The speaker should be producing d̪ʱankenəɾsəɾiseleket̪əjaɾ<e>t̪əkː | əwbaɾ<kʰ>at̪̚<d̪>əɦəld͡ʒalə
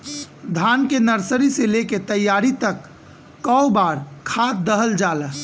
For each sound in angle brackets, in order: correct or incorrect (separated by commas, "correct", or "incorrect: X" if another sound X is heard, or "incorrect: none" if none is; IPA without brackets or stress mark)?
incorrect: i, correct, correct